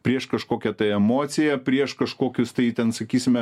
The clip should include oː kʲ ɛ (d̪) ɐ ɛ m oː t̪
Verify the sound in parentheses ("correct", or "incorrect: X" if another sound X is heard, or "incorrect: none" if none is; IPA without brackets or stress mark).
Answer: incorrect: t̪